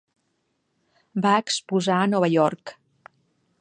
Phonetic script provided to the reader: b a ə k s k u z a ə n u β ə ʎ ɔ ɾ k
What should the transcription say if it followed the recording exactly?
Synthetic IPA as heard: b a ə k s p u z a ə n ɔ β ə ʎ ɔ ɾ k